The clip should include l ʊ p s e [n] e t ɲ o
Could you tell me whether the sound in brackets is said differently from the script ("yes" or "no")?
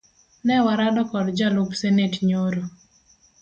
no